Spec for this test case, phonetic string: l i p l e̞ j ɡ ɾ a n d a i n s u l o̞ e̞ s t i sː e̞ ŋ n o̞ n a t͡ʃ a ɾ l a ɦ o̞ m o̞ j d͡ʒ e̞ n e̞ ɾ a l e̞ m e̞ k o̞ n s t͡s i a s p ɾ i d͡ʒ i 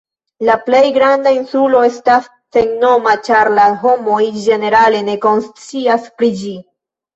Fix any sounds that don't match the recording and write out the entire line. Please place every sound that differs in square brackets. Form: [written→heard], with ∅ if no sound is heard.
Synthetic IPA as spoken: l [i→a] p l e̞ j ɡ ɾ a n d a i n s u l o̞ e̞ s t [i→a] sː e̞ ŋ n o̞ [n→m] a t͡ʃ a ɾ l a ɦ o̞ m o̞ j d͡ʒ e̞ n e̞ ɾ a l e̞ [m→n] e̞ k o̞ n s t͡s i a s p ɾ i d͡ʒ i